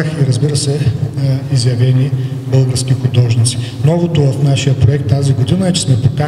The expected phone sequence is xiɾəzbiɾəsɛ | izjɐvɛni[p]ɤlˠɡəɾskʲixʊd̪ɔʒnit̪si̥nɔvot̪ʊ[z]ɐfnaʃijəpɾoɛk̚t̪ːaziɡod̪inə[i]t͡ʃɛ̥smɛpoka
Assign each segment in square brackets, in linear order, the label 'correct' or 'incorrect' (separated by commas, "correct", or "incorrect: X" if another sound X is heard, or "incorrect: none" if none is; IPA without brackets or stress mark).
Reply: incorrect: b, incorrect: v, incorrect: ɛ